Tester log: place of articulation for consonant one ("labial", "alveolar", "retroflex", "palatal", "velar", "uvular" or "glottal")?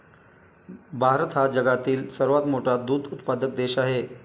labial